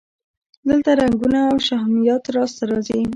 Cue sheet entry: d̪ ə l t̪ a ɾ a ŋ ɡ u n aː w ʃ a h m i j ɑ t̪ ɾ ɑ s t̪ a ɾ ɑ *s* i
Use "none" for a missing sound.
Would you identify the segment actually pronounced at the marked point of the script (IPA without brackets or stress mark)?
z